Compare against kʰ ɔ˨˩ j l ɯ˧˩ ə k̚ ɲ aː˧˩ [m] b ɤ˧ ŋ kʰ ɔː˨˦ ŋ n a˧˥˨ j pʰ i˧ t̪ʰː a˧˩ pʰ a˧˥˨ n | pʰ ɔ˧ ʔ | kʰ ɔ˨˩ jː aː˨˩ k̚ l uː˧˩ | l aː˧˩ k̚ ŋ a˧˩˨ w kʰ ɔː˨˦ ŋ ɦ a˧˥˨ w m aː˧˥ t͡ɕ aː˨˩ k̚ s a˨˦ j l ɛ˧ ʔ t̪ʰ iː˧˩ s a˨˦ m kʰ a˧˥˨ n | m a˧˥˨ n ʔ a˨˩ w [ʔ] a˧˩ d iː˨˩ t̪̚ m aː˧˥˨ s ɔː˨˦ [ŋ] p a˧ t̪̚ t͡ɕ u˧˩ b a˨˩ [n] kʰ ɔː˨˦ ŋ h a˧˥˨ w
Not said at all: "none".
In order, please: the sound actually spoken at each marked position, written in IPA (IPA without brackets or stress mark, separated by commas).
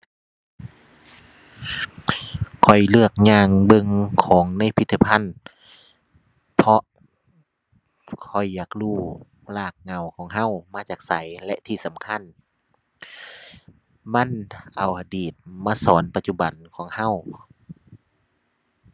ŋ, ʔ, n, n